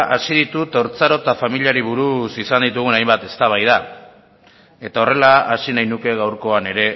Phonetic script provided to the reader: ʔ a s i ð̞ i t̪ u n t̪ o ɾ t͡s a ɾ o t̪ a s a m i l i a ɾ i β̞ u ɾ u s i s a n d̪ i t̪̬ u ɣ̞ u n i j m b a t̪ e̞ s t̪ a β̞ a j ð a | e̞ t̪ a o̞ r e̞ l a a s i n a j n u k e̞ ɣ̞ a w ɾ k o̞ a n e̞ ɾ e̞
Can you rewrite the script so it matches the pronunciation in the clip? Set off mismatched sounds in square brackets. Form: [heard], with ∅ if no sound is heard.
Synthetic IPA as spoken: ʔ a s i ð̞ i t̪ u [∅] t̪ o ɾ t͡s a ɾ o t̪ a [f] a m i l i a ɾ i β̞ u ɾ u s i s a n d̪ i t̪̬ u ɣ̞ u n [a] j m b a t̪ e̞ s t̪ a β̞ a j ð a | e̞ t̪ a o̞ r e̞ l a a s i n a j n u k e̞ ɣ̞ a w ɾ k o̞ a n e̞ ɾ e̞